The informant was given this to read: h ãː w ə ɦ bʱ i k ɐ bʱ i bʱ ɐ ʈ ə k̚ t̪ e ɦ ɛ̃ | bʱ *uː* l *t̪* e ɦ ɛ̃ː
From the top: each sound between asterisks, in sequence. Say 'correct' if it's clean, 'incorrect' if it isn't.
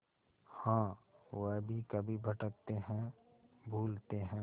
correct, correct

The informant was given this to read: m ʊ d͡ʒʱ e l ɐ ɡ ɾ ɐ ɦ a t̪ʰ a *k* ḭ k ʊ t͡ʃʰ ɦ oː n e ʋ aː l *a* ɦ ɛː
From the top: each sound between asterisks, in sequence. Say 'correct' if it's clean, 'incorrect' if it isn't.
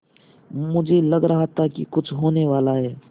correct, correct

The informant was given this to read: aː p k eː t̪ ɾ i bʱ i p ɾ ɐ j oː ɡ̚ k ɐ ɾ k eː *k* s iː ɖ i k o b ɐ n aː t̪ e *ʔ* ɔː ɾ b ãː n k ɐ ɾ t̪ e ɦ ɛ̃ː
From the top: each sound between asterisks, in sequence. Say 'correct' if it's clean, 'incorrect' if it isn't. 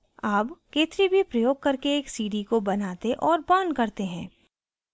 correct, correct

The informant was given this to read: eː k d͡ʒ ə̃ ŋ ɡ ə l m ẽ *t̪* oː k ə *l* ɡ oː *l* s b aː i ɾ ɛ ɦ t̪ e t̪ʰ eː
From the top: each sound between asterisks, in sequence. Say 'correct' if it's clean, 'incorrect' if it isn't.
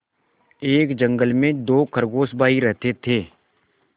incorrect: d̪, incorrect: ɾ, incorrect: none

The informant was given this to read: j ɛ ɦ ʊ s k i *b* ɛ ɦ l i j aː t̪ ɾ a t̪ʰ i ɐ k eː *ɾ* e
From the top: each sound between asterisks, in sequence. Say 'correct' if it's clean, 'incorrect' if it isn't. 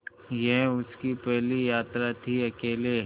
incorrect: p, incorrect: l

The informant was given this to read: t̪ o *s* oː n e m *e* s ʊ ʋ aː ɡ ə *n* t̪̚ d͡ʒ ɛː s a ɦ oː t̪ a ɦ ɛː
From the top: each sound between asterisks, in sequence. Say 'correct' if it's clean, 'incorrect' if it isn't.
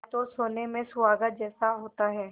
correct, incorrect: ẽ, incorrect: none

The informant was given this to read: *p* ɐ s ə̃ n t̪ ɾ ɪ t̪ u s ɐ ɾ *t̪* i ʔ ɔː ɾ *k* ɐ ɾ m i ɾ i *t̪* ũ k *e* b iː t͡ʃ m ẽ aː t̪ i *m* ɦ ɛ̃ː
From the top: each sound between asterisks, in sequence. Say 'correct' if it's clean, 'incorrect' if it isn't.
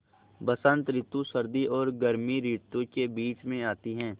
incorrect: b, incorrect: d̪, incorrect: ɡ, correct, correct, incorrect: none

